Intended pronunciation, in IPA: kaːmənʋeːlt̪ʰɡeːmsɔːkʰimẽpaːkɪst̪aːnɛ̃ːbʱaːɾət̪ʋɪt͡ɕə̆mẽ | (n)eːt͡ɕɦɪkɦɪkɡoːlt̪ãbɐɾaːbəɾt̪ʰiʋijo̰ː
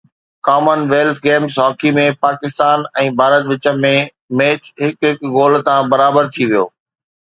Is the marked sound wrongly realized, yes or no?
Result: yes